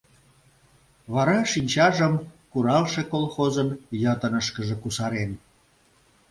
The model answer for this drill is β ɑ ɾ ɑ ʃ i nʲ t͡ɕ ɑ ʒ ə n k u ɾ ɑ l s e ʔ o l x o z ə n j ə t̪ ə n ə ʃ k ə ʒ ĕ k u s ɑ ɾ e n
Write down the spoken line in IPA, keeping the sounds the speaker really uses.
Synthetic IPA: β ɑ ɾ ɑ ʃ i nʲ t͡ɕ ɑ ʒ ə m k u ɾ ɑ l ʃ e k o l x o z ə n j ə t̪ ə n ə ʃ k ə ʒ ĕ k u s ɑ ɾ e n